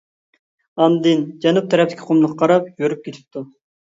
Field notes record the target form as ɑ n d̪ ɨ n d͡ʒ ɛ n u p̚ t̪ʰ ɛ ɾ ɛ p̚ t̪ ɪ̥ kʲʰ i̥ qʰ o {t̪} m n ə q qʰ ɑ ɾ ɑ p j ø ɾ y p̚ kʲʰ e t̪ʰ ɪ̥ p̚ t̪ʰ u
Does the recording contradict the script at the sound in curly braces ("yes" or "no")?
yes